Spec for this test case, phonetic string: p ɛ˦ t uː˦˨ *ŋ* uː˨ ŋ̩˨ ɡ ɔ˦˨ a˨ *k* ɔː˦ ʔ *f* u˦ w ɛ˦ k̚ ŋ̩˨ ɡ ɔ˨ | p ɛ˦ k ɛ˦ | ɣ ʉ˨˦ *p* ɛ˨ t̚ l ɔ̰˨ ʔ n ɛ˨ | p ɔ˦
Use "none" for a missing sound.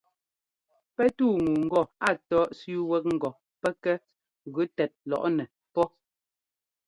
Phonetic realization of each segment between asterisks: ŋ, t, s, t

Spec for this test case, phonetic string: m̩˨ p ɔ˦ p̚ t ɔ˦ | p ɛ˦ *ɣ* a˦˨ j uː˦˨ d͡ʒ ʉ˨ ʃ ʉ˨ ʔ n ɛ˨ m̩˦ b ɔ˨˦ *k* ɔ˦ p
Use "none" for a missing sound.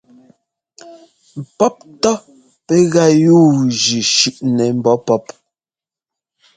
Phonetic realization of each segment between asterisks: ɣ, p

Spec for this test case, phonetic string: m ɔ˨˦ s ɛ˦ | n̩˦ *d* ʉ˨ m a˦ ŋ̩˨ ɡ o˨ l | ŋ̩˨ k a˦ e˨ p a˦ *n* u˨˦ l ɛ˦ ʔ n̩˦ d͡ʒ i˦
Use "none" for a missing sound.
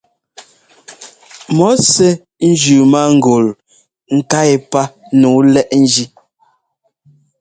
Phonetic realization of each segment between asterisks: d͡ʒ, n

